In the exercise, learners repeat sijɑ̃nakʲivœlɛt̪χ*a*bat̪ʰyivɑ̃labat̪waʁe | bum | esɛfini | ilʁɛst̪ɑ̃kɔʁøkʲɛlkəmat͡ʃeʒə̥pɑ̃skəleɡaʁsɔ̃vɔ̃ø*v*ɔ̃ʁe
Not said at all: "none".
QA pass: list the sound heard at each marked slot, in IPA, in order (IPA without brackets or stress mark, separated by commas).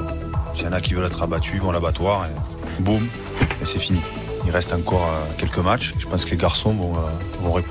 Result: a, v